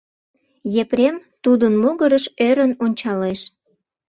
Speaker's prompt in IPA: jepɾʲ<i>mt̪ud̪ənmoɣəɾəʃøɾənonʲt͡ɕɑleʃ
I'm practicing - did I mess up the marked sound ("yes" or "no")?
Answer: yes